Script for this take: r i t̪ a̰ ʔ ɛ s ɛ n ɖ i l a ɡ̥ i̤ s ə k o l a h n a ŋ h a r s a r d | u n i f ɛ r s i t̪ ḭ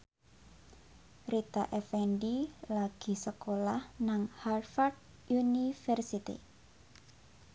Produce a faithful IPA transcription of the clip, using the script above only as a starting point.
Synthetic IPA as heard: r i t̪ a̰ ʔ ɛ f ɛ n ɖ i l a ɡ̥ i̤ s ə k o l a h n a ŋ h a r f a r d | u n i f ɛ r s i t̪ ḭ